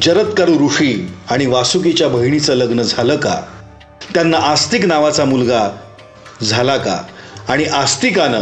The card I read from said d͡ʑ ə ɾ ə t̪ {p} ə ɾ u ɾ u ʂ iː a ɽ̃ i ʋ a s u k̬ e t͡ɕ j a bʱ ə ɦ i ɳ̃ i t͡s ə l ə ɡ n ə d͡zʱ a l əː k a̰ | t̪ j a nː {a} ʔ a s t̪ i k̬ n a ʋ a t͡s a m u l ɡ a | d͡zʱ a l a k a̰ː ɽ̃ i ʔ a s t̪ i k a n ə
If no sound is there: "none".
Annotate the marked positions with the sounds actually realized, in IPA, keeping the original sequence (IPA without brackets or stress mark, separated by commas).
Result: k, a